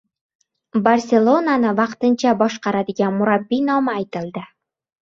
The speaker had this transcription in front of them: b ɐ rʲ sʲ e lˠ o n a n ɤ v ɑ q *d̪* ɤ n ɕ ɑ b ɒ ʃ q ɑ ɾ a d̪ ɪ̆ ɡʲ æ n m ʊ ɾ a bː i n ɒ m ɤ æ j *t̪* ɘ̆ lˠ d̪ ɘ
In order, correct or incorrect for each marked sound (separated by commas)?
incorrect, correct